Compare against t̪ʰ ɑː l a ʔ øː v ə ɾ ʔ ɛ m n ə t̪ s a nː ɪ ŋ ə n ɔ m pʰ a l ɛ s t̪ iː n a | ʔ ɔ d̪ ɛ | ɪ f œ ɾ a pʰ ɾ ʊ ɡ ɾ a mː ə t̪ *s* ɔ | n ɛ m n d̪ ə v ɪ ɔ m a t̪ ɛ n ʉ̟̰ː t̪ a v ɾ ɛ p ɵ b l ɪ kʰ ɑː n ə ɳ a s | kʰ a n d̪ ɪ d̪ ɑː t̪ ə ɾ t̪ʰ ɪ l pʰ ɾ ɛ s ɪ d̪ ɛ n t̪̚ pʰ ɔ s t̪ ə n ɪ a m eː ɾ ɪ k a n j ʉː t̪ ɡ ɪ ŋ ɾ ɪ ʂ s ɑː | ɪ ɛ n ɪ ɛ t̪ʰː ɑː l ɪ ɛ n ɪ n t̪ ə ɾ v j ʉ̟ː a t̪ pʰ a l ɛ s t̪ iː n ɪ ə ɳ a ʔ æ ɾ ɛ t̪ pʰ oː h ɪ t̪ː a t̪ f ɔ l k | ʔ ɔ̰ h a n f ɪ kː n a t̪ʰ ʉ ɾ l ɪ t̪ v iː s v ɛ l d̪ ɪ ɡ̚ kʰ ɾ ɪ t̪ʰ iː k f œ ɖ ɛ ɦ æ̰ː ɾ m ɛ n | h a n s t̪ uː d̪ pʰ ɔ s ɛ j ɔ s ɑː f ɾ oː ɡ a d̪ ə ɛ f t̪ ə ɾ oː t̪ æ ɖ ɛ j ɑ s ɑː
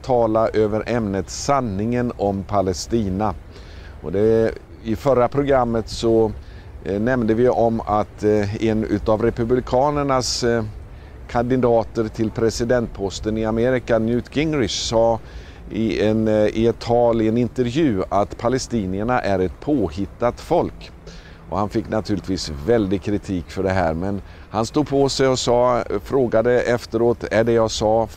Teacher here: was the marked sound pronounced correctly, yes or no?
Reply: yes